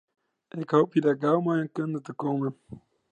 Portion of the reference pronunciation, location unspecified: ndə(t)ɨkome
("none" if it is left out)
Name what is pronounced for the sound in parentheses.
t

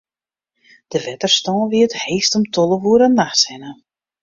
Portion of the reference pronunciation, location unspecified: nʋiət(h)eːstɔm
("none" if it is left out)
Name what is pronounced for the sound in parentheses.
h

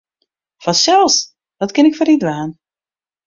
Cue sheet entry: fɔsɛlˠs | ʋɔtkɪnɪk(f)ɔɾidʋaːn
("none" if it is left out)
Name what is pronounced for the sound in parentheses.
f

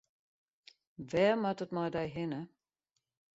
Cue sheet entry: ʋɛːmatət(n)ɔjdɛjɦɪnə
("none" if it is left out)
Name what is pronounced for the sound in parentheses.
m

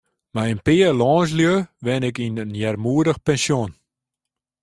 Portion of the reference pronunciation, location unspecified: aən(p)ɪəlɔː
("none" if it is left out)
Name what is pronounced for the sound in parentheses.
p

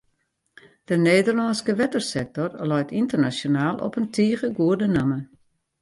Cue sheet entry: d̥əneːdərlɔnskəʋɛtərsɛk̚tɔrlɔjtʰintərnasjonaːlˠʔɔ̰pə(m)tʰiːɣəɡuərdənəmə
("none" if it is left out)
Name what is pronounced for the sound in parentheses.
n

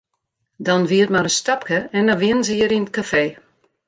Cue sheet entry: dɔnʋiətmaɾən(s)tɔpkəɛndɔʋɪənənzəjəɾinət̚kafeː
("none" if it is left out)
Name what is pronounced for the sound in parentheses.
s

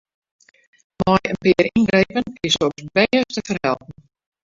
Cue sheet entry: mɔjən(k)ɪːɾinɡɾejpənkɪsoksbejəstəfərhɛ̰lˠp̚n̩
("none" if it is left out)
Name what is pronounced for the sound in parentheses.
p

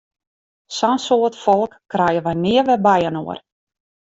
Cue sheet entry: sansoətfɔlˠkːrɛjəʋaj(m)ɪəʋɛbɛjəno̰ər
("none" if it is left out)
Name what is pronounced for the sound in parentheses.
n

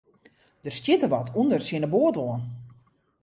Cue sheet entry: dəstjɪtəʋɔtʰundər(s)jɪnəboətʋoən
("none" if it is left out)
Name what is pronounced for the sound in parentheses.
s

